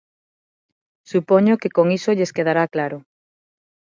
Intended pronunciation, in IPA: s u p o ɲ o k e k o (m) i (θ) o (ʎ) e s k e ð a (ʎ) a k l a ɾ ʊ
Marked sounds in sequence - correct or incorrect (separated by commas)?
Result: incorrect, incorrect, correct, incorrect